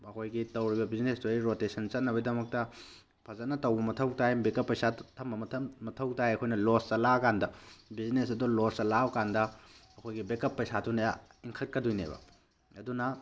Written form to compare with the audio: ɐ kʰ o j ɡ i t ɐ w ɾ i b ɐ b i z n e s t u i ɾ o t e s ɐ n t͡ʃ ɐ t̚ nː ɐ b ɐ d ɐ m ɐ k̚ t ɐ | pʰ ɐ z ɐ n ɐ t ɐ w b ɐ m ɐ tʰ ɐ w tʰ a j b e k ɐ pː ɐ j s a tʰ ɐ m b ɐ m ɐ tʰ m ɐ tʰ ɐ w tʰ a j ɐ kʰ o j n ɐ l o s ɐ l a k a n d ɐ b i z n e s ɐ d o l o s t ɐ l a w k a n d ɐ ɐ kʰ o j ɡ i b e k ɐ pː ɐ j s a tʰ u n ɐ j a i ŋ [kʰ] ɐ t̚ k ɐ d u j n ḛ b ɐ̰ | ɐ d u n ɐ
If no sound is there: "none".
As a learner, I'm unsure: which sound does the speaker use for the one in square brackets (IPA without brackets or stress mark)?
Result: kʰ